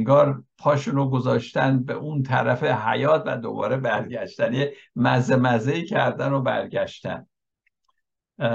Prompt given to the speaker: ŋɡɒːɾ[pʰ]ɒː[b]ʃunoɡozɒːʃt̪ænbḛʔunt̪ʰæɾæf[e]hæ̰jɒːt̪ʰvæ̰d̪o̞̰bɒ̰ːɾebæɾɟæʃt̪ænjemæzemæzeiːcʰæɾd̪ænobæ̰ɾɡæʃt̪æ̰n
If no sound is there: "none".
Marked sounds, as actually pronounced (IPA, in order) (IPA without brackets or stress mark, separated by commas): pʰ, none, e